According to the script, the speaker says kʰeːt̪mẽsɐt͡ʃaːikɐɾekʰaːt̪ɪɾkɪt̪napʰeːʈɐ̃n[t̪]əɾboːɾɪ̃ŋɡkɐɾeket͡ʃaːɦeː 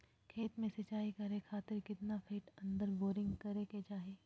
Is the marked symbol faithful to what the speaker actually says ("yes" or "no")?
no